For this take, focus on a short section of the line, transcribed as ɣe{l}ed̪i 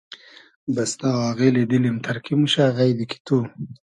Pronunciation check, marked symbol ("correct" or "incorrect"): correct